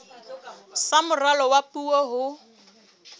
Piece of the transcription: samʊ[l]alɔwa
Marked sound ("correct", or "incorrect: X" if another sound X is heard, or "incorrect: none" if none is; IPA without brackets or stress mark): incorrect: r